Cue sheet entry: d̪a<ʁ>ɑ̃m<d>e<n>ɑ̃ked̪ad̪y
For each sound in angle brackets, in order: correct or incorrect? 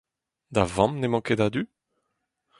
incorrect: v, incorrect: n, incorrect: m

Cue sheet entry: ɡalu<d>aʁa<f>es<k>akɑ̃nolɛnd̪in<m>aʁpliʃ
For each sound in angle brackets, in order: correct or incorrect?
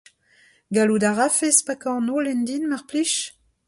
correct, correct, incorrect: p, correct

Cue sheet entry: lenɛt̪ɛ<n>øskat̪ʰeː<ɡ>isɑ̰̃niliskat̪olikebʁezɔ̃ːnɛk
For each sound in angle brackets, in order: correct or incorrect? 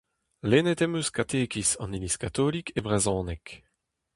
incorrect: m, incorrect: k

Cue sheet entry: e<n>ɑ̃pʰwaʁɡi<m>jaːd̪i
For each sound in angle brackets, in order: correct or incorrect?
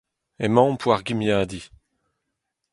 incorrect: m, correct

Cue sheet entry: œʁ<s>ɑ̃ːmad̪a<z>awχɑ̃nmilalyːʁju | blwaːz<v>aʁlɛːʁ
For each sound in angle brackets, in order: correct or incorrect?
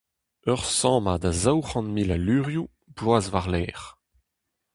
correct, correct, correct

